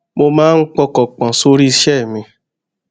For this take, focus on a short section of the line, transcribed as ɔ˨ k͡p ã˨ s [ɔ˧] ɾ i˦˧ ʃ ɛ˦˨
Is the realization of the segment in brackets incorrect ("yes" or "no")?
yes